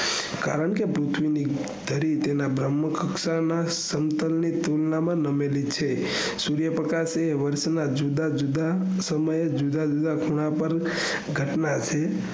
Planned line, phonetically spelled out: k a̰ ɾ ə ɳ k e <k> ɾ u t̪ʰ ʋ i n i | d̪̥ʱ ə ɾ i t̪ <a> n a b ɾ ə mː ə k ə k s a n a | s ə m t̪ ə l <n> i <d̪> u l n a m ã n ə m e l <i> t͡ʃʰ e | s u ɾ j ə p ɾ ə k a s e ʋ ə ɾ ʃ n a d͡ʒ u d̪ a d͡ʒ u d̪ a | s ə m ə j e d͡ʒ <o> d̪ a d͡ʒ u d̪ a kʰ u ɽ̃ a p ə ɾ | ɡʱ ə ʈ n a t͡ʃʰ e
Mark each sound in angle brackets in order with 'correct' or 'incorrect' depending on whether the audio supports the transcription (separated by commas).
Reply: incorrect, incorrect, correct, incorrect, correct, incorrect